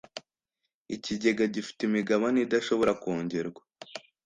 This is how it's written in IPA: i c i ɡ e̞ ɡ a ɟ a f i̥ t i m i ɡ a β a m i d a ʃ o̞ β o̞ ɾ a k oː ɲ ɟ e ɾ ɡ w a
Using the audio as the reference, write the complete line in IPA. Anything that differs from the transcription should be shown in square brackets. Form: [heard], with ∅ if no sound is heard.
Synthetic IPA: i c i [ɟ] e̞ ɡ a ɟ [i] f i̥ t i m i ɡ a β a [n] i d a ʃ o̞ β o̞ ɾ a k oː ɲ ɟ e ɾ ɡ w a

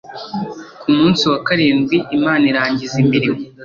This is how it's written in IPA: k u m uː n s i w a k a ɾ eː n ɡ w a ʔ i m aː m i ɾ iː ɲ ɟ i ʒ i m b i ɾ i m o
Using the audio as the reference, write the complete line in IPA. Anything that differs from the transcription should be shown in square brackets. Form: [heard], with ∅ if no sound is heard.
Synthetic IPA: k u m uː n s i w a k a ɾ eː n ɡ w [i] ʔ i m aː [n] i ɾ [aː] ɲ ɟ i [z] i m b i ɾ i m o

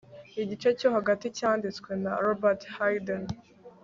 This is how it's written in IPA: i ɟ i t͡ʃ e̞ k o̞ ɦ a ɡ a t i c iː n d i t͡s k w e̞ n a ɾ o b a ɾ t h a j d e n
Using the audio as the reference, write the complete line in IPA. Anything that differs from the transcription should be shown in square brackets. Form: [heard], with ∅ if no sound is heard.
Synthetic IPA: i ɟ i t͡ʃ e̞ [c] o̞ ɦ a ɡ a t i c [aː] n d i t͡s k w e̞ n a ɾ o b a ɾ t h a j d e n

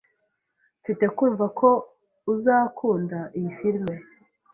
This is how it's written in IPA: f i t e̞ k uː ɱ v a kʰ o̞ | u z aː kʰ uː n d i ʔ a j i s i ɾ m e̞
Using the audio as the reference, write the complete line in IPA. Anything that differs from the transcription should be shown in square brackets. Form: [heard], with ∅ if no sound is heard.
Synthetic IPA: f i t e̞ k uː ɱ v a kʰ o̞ | u z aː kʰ uː n d [a] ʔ [i] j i [f] i ɾ m e̞

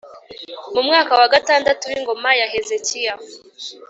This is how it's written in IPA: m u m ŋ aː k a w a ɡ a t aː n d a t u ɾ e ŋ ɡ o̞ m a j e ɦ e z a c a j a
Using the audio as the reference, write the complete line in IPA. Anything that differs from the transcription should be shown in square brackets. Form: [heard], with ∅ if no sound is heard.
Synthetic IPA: m u m ŋ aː k a w a ɡ a t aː n d a t u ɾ [i] ŋ ɡ o̞ m a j [a] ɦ e z [e] c [i] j a

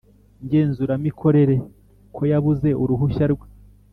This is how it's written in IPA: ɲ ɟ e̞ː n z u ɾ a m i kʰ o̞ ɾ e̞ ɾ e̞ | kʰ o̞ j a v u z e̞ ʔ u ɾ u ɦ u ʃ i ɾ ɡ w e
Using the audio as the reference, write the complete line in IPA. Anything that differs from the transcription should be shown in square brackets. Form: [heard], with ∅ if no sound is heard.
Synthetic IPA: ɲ ɟ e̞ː n z u ɾ a m i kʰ o̞ ɾ e̞ ɾ e̞ | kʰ o̞ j a [β] u z e̞ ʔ u ɾ u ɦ u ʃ [a] ɾ ɡ w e

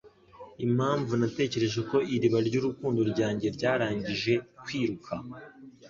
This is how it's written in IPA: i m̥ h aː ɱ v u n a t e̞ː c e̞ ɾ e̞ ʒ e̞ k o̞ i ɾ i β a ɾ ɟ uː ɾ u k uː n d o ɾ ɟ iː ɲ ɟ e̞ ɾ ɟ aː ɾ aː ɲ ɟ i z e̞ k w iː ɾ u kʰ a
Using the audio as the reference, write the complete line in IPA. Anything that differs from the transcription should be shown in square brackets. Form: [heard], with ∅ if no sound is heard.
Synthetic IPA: i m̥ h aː ɱ v u n a t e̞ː c e̞ ɾ e̞ ʒ e̞ k o̞ i ɾ i β a ɾ ɟ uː ɾ u k uː n d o ɾ ɟ [aː] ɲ ɟ e̞ ɾ ɟ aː ɾ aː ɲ ɟ i [ʒ] e̞ k w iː ɾ u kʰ a

